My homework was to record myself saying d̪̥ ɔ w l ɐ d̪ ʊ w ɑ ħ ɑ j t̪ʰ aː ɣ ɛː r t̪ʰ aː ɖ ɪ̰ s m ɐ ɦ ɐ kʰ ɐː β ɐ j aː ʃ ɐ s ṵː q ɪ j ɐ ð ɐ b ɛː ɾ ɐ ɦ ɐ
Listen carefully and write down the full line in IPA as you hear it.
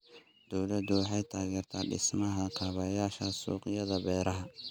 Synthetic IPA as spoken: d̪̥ ɔ w l ɐ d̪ ʊ w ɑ ħ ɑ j t̪ʰ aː ɣ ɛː r t̪ʰ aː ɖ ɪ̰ s m ɐ ɦ ɐ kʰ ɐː β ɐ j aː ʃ ɐ s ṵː q ɪ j ɐ ð ɐ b ɛː ɾ ɐ ɦ ɐ